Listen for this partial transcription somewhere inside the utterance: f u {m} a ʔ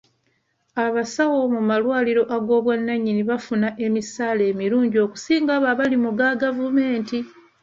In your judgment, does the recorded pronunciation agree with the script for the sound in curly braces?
no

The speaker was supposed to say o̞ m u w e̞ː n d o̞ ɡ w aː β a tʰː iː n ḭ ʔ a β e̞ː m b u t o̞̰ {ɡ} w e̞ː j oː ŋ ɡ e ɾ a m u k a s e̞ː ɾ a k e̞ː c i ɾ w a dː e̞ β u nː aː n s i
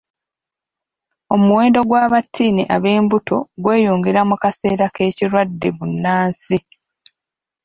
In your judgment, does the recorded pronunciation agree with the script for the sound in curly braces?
yes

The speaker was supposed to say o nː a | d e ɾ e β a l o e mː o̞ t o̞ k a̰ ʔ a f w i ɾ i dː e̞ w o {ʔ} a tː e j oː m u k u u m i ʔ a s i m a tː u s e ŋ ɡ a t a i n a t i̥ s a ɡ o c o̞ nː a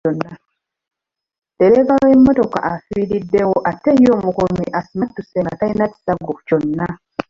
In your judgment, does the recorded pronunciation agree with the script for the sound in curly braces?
yes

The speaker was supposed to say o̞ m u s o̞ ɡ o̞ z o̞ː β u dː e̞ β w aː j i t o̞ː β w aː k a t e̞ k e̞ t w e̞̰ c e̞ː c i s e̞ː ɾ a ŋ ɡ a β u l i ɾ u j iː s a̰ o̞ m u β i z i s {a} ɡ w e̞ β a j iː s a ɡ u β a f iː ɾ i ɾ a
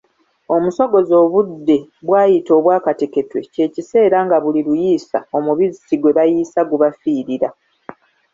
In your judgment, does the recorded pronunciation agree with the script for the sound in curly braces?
no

